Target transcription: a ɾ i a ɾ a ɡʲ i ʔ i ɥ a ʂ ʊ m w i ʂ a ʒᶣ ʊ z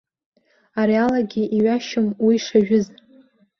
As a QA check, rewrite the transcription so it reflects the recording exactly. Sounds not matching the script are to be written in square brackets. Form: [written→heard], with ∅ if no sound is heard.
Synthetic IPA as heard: a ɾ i a [ɾ→l] a ɡʲ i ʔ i ɥ a [ʂ→ʃ] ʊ m w i ʂ a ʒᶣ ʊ z